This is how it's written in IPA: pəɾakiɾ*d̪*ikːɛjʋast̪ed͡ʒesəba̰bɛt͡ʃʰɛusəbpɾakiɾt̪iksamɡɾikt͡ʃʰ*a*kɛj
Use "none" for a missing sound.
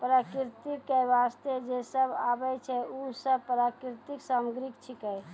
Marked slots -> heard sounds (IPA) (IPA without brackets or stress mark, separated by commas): t̪, i